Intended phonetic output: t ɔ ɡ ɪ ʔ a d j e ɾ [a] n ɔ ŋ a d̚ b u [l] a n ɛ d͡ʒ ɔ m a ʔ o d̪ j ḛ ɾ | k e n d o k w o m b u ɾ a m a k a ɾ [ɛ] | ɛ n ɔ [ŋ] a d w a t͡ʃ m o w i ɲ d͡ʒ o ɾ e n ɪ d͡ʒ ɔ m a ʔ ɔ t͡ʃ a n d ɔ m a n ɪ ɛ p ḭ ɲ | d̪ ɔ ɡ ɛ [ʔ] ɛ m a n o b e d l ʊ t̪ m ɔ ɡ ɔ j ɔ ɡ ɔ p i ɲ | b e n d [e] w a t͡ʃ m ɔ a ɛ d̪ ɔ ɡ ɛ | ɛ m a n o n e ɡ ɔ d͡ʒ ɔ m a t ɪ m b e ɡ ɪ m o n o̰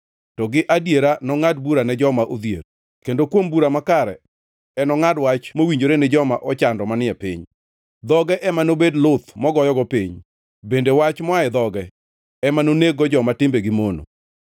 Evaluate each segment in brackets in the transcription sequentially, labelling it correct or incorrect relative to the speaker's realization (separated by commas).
correct, incorrect, correct, correct, correct, correct